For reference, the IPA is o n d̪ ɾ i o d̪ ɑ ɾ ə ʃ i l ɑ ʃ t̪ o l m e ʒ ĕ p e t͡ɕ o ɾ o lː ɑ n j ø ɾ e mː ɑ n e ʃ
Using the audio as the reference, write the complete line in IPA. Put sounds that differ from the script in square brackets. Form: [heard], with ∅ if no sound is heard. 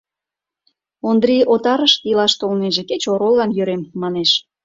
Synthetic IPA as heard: o n d̪ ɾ i o [t̪] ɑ ɾ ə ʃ i l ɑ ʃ t̪ o l [n] e ʒ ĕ [k] e t͡ɕ o ɾ o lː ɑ n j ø ɾ e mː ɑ n e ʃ